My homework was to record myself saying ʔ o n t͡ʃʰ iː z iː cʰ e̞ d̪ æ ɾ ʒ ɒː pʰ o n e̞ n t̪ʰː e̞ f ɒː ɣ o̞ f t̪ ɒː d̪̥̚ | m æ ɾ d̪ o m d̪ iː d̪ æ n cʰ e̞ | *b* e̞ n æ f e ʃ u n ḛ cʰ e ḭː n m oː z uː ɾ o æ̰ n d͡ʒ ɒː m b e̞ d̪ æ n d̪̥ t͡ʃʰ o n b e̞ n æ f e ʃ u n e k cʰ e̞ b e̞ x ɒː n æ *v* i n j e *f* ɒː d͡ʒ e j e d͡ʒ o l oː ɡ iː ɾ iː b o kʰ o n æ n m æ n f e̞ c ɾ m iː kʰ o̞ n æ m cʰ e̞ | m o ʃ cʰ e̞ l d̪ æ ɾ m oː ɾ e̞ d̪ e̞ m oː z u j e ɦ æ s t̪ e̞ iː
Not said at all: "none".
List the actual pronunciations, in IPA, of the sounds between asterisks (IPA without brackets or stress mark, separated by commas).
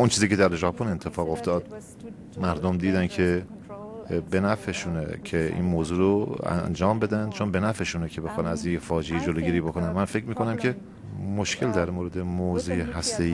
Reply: b, z, f